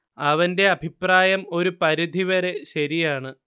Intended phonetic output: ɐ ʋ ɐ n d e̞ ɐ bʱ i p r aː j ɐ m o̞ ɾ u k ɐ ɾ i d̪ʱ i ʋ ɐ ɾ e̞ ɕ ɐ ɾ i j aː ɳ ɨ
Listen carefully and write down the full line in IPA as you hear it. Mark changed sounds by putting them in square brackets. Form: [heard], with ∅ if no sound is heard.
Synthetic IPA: ɐ ʋ ɐ n d e̞ ɐ bʱ i p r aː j ɐ m o̞ ɾ u [p] ɐ ɾ i d̪ʱ i ʋ ɐ ɾ e̞ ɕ ɐ ɾ i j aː ɳ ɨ